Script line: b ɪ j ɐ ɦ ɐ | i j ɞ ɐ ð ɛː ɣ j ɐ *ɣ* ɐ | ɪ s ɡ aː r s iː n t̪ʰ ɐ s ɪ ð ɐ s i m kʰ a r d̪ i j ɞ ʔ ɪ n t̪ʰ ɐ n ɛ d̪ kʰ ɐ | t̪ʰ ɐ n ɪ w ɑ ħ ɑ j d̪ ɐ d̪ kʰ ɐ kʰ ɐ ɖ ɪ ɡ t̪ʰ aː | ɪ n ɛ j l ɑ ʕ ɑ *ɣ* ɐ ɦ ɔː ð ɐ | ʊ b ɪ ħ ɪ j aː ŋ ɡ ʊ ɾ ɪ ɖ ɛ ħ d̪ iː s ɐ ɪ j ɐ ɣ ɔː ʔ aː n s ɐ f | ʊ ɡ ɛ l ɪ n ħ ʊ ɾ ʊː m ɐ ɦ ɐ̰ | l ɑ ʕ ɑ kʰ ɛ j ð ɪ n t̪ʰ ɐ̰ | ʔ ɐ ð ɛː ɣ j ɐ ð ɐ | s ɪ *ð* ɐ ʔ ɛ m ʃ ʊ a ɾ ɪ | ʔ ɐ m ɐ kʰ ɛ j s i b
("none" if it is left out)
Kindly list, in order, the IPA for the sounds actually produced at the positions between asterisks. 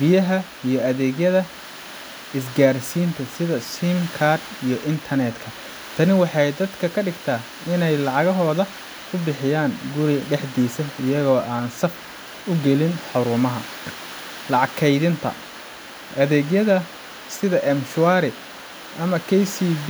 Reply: ð, ɣ, ð

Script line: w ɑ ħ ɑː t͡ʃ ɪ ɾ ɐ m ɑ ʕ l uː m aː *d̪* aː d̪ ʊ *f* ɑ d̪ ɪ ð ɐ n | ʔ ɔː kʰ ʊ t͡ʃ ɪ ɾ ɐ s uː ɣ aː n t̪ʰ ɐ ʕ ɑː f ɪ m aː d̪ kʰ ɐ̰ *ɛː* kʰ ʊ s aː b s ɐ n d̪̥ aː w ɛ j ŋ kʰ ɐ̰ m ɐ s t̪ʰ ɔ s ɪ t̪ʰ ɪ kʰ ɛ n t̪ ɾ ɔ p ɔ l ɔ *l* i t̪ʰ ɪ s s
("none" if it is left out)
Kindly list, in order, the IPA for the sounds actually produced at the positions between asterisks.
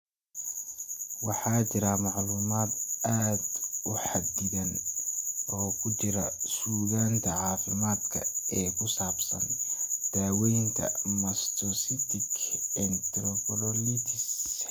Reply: d̪, ħ, ɛː, l

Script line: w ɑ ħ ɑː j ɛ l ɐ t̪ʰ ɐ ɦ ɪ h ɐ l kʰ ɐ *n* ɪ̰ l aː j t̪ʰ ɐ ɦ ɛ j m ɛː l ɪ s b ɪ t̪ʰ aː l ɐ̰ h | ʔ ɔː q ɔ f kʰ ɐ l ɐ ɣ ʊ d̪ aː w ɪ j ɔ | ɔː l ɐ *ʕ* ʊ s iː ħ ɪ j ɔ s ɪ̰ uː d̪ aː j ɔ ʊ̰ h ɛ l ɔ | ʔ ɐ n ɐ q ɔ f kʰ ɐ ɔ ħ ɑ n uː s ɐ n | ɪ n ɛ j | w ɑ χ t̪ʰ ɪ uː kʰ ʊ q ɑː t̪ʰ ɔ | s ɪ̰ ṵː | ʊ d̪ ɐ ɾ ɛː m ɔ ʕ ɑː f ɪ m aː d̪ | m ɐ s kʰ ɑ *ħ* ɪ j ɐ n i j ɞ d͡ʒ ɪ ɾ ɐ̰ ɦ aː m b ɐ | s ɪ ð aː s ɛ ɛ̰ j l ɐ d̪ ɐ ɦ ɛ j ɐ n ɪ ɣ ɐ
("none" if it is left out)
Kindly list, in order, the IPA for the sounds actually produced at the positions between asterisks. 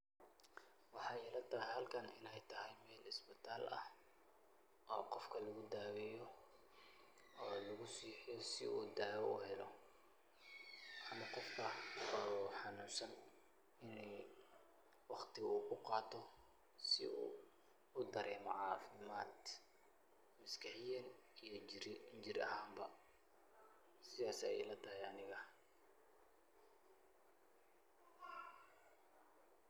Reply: n, ɣ, ħ

